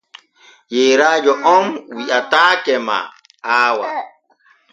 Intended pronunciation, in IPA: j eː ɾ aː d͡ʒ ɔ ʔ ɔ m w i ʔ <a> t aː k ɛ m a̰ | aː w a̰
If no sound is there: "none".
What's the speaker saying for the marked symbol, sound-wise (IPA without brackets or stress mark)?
a